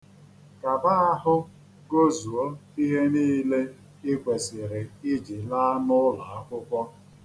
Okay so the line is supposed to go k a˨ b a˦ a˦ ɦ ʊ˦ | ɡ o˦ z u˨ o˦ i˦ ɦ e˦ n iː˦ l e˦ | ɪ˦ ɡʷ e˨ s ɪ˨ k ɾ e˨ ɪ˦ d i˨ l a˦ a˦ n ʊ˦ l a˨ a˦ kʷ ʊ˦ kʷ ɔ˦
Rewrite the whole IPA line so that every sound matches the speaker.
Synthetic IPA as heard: k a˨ b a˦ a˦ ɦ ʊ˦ | ɡ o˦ z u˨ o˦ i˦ ɦ e˦ n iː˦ l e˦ | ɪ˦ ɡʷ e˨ s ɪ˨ ɾ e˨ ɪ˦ d͡ʒ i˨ l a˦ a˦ n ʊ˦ l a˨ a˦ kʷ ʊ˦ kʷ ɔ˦